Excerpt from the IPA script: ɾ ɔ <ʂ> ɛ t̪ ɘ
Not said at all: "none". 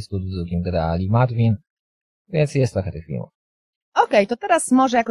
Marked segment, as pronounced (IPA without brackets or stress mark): x